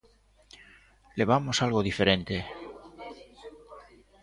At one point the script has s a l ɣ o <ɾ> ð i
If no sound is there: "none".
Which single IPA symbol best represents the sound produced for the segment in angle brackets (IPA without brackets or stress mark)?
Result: none